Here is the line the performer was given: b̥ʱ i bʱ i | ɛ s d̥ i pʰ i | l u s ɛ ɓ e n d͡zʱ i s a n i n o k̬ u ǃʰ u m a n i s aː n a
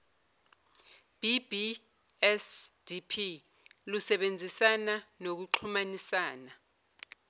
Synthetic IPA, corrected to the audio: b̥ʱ i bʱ i | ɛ s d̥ i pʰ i | l u s ɛ ɓ e n d͡zʱ i s a n a n o k̬ u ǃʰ u m a n i s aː n a